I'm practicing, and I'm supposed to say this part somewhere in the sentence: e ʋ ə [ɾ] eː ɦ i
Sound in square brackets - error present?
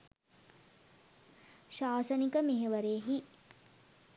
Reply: no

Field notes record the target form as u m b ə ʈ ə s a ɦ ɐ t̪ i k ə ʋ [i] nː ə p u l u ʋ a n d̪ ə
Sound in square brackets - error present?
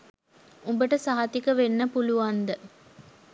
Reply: yes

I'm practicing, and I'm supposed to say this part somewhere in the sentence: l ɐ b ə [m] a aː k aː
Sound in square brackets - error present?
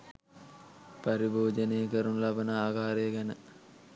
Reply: yes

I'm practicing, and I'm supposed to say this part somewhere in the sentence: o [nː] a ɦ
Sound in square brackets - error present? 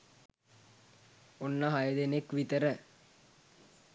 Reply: no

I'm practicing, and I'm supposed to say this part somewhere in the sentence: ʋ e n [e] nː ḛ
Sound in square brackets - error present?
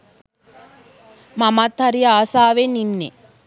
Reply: yes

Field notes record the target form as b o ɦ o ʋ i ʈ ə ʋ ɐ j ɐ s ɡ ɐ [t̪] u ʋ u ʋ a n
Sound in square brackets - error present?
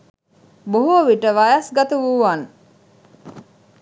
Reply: no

